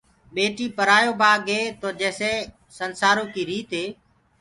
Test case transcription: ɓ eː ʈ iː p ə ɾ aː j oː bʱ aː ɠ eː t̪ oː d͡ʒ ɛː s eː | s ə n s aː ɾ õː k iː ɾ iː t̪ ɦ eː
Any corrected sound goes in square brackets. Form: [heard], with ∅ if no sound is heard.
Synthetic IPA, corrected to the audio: ɓ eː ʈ iː p ə ɾ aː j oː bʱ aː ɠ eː t̪ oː d͡ʒ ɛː s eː | s ə n s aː ɾ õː k iː ɾ iː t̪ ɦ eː